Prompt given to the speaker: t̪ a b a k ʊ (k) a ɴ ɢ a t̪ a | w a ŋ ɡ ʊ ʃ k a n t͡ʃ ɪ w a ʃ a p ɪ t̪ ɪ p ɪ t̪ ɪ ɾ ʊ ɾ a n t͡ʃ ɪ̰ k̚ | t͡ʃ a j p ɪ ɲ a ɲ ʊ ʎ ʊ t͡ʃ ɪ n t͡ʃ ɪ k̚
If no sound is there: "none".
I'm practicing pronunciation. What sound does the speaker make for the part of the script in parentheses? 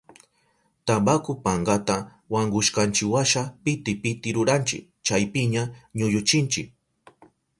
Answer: p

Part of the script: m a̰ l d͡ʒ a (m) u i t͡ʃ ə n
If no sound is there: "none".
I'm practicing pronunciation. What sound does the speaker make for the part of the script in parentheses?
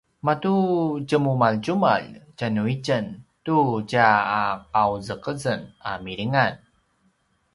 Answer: n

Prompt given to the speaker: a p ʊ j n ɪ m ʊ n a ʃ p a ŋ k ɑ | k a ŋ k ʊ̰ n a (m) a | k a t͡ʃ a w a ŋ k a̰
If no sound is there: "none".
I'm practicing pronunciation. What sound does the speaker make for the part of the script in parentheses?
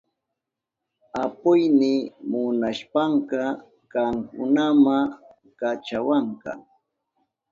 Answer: m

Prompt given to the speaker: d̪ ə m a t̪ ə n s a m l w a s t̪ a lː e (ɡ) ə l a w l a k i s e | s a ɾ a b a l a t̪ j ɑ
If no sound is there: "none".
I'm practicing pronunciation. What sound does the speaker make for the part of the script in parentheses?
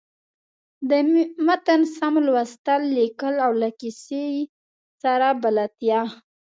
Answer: k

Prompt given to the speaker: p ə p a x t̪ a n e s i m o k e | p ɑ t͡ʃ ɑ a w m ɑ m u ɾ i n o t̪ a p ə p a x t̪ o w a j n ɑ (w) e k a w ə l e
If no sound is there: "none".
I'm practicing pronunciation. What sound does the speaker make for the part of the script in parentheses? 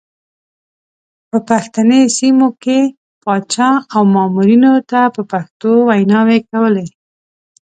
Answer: w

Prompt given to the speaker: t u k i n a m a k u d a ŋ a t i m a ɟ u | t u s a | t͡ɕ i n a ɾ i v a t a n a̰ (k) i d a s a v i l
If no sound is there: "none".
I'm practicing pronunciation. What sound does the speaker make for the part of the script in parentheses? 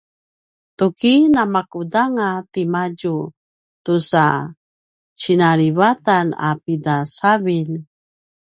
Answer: p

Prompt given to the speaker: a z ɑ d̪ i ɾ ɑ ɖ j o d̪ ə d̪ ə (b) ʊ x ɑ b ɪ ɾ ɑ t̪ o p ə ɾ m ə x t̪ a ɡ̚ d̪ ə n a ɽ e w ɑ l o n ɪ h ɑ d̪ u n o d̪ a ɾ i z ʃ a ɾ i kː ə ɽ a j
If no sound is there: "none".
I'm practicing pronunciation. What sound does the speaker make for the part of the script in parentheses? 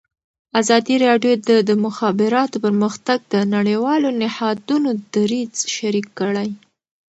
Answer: m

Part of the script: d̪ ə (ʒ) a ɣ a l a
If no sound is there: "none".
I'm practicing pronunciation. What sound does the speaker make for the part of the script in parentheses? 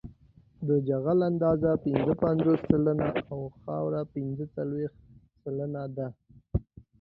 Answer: d͡ʒ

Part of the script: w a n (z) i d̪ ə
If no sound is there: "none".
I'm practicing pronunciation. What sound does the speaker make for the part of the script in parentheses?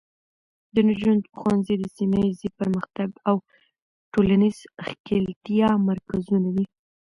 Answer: z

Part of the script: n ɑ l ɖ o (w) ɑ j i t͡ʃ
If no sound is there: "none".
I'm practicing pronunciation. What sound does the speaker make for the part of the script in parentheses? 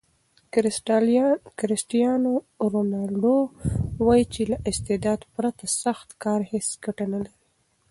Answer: w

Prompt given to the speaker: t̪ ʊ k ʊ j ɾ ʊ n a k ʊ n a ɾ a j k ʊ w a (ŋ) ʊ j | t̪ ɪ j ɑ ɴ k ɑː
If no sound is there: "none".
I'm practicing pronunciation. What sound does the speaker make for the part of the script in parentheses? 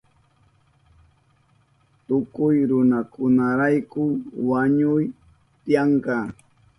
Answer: ɲ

